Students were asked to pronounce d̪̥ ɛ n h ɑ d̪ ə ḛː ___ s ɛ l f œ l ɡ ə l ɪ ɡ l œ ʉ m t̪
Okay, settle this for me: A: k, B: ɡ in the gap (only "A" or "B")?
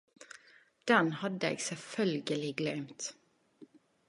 B